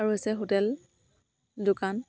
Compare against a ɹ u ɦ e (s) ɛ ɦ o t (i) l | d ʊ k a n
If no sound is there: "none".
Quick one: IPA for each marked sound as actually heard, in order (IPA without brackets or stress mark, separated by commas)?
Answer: s, ɛ